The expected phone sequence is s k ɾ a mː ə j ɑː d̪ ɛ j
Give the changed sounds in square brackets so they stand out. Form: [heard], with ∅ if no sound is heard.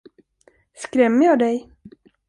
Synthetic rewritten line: s k ɾ [ɛ] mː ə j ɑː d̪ ɛ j